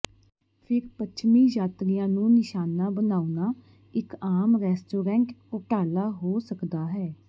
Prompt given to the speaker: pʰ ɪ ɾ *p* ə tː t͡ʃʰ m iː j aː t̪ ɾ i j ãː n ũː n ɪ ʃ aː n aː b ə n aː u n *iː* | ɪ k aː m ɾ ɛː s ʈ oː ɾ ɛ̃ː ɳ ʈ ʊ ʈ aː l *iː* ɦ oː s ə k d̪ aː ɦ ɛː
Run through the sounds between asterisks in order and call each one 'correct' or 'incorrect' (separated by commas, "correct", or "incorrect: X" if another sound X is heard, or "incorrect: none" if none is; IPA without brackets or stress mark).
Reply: correct, incorrect: aː, incorrect: aː